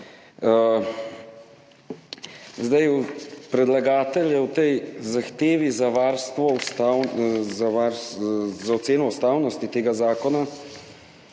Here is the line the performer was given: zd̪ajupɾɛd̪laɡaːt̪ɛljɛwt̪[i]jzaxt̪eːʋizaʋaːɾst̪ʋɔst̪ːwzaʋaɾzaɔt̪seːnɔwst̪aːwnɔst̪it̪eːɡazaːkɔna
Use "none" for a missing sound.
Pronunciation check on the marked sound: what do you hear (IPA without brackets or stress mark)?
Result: ɛ